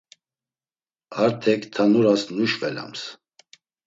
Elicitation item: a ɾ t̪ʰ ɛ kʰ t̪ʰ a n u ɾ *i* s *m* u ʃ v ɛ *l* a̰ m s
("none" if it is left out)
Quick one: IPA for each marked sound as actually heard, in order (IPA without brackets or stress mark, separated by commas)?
a, n, l